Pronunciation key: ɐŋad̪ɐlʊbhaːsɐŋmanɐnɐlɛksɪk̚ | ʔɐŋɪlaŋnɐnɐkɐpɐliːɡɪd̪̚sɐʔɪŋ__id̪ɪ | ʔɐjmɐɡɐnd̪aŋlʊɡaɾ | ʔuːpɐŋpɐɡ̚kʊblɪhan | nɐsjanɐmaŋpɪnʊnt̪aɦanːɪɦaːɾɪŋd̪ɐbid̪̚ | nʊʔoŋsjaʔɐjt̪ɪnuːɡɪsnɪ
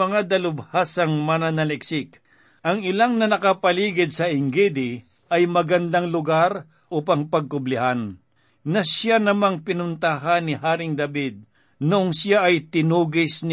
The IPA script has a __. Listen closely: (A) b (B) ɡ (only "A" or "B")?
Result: B